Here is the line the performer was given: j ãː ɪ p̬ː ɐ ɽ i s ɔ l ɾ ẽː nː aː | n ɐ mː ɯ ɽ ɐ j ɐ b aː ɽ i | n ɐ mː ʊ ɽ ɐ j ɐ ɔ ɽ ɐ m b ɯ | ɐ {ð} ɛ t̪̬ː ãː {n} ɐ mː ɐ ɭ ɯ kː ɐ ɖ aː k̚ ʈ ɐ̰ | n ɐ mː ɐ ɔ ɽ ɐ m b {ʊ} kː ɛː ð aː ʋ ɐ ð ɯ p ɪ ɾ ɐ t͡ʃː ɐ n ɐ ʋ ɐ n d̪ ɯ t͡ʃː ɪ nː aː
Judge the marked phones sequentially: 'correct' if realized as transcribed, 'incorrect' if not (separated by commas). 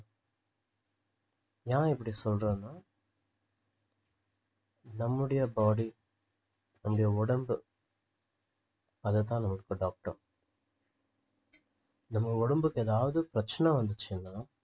correct, correct, incorrect